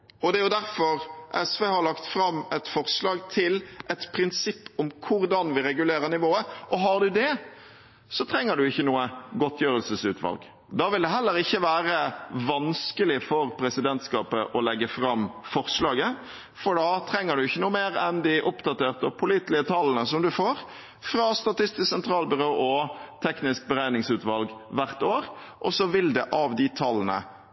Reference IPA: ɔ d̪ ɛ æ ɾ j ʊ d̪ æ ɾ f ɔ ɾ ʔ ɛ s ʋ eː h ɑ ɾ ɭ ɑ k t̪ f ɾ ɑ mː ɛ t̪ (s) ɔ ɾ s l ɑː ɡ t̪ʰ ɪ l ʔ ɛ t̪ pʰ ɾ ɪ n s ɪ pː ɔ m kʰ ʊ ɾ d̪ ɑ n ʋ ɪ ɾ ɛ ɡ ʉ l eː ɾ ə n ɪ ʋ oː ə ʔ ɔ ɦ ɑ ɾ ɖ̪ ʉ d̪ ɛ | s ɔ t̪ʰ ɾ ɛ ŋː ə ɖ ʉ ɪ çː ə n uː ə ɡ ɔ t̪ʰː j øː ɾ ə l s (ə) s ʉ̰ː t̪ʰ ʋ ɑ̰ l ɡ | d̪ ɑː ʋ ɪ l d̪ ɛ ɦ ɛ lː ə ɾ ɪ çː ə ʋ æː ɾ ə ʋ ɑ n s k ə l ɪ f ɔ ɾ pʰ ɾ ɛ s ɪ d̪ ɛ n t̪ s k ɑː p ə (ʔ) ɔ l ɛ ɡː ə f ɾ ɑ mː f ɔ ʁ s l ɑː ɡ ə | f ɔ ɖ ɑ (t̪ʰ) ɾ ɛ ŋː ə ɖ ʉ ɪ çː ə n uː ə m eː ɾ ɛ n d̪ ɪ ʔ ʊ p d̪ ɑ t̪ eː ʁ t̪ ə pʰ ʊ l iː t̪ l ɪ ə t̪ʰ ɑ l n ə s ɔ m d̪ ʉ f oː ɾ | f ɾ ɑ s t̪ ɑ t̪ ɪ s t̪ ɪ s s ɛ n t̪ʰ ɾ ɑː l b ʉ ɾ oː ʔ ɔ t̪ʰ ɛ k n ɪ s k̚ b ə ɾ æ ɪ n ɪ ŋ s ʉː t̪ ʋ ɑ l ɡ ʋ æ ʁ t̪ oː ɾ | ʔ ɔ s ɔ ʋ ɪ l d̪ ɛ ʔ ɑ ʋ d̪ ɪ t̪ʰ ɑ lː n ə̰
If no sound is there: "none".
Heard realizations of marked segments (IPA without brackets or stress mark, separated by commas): f, ə, ʔ, t̪ʰ